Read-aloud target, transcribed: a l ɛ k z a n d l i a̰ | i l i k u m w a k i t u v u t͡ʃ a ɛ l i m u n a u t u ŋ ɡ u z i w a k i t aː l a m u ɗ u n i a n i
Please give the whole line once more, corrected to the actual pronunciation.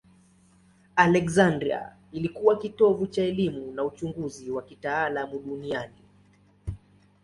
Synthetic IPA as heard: a l ɛ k z a n d ɾ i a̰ | i l i k u w a k i t ɔ v u t͡ʃ a ɛ l i m u n a u t͡ʃ u ŋ ɡ u z i w a k i t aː l a m u ɗ u n i a n i